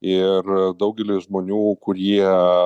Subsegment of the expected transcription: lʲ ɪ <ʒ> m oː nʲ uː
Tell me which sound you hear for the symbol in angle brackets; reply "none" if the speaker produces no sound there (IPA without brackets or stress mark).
ʒ